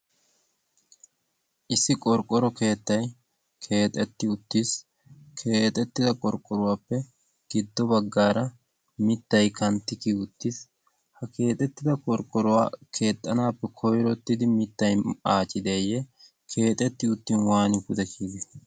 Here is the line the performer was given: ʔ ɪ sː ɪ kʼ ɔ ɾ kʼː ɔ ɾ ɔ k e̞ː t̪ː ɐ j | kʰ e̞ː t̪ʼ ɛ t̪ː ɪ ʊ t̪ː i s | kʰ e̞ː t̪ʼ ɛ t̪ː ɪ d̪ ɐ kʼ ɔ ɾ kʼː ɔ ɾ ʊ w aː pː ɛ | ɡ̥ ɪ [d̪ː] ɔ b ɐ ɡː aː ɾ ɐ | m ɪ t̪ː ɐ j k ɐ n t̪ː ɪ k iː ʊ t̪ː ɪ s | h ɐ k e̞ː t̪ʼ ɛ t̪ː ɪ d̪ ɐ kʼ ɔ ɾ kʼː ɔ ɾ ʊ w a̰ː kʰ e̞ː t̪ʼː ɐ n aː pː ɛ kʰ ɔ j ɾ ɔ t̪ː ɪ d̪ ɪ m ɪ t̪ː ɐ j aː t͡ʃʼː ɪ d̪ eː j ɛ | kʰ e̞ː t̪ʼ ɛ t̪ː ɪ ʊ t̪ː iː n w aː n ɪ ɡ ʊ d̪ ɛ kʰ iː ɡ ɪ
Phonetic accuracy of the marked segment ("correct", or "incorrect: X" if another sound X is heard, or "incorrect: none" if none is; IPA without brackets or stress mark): correct